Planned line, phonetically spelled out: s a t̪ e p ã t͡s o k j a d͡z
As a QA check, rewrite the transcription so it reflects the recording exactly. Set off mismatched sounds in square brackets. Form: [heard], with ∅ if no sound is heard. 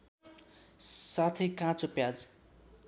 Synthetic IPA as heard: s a [t̪ʰ] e [k] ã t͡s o [p] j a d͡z

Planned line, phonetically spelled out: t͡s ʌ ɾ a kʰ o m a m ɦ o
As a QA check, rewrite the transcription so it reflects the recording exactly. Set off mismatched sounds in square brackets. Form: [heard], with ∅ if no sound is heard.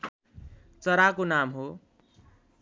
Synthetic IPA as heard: t͡s ʌ ɾ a [k] o [n] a m ɦ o

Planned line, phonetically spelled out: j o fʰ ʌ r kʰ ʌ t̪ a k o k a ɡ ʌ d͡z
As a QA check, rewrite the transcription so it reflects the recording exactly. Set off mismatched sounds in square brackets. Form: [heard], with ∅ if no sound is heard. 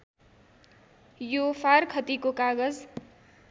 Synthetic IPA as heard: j o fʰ [a] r kʰ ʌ t̪ [i] k o k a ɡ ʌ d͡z

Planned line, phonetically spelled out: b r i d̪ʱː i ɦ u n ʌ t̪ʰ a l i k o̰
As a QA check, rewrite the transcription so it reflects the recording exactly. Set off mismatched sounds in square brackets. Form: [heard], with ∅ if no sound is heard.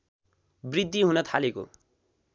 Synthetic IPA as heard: b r i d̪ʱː i ɦ u n ʌ t̪ʰ a l [e] k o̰

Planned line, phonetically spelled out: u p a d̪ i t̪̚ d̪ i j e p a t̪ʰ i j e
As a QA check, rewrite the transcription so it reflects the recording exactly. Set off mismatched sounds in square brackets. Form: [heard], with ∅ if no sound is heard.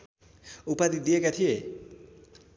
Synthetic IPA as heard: u p a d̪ i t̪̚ d̪ i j e [k] a t̪ʰ i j e

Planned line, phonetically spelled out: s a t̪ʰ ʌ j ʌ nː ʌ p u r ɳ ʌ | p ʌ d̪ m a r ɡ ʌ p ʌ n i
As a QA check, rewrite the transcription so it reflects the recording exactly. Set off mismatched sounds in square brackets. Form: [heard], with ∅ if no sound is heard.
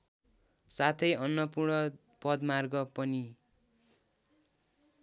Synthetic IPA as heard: s a t̪ʰ ʌ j ʌ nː ʌ p u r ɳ ʌ | p ʌ d̪ m a r ɡ ʌ p ʌ n i

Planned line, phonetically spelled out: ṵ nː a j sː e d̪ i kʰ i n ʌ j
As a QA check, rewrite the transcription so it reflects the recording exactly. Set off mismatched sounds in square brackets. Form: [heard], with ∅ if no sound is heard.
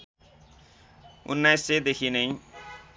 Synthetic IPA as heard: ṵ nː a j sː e d̪ [e] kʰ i n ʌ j

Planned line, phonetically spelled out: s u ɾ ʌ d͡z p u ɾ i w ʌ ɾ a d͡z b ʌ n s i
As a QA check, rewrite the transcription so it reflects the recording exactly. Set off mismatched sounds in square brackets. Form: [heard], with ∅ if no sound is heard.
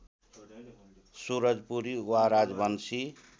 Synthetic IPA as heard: s u ɾ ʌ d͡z p u ɾ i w [a] ɾ a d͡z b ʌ n s i

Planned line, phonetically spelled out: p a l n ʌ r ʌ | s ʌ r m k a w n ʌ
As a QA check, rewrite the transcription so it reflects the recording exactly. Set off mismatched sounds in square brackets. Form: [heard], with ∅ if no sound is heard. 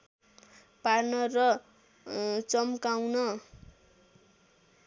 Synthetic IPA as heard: p a [r] n ʌ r ʌ | [t͡s] ʌ [∅] m k a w n ʌ

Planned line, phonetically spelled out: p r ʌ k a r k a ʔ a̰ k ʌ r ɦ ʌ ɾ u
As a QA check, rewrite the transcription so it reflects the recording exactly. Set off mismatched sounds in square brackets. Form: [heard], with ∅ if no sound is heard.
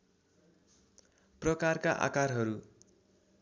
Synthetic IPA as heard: p r ʌ k a r k a ʔ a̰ k [a] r ɦ ʌ ɾ u

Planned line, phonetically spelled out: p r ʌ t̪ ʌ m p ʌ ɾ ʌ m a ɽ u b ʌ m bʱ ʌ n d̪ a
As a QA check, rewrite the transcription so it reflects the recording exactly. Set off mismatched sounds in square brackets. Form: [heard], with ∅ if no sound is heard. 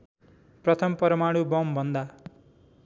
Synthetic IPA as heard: p r ʌ [t̪ʰ] ʌ m p ʌ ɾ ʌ m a ɽ u b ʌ m bʱ ʌ n d̪ a

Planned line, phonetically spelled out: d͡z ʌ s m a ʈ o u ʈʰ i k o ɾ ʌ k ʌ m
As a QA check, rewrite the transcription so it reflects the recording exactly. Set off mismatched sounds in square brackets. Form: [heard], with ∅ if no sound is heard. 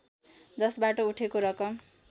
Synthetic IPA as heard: d͡z ʌ s [b] a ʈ o u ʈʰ [e] k o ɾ ʌ k ʌ m

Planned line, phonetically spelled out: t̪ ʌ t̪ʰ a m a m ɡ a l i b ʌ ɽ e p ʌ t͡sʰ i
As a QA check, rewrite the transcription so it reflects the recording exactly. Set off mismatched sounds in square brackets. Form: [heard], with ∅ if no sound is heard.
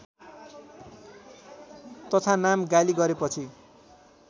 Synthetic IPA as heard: t̪ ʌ t̪ʰ a [n] a m ɡ a l i [ɡ] ʌ [ɾ] e p ʌ t͡sʰ i

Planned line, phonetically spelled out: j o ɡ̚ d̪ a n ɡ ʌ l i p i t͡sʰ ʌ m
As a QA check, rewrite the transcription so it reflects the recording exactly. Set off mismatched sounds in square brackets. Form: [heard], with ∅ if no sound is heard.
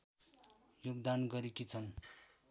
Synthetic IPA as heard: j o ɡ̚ d̪ a n ɡ ʌ [ɾ] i [k] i t͡sʰ ʌ [n]

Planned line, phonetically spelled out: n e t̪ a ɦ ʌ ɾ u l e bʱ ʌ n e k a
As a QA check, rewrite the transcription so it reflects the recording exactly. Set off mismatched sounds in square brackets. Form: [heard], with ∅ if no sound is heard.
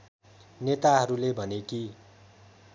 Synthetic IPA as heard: n e t̪ a ɦ ʌ ɾ u l e bʱ ʌ n e k [i]

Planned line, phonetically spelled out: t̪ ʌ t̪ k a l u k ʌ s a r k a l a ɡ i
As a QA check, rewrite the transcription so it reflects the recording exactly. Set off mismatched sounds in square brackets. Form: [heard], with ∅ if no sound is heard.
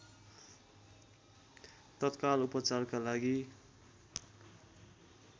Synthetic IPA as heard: t̪ ʌ t̪ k a l u [p] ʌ [t͡s] a r k a l a ɡ i

